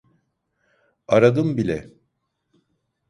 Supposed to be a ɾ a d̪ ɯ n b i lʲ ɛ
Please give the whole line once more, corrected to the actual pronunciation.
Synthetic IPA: a ɾ a d̪ ɯ m b i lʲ ɛ